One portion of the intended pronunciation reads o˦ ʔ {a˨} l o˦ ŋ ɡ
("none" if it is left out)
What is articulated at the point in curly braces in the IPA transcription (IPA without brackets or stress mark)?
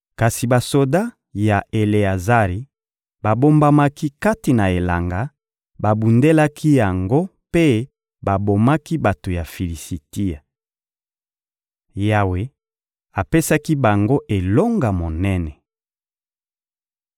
e˨